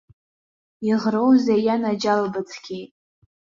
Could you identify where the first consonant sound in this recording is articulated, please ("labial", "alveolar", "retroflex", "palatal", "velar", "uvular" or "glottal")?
uvular